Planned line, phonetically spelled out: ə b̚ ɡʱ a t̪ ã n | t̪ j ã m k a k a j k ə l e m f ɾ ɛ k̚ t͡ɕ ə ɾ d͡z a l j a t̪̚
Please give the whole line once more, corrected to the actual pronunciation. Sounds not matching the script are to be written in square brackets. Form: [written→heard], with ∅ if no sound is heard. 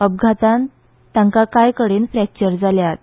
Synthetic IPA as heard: ə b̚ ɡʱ a t̪ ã n | t̪ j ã [m→ŋ] k a k a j k ə [l→ɽ] e [m→n] f ɾ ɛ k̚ t͡ɕ ə ɾ d͡z a l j a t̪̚